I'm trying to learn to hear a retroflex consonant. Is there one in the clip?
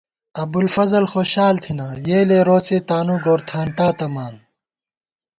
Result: no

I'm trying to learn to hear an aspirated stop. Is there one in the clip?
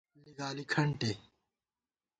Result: yes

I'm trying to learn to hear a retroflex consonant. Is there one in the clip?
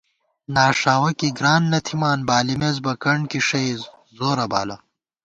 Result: yes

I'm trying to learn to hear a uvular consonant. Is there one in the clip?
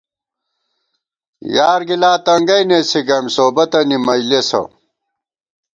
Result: no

